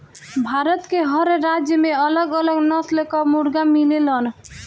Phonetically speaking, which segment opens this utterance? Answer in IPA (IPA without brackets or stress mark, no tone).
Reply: bʱ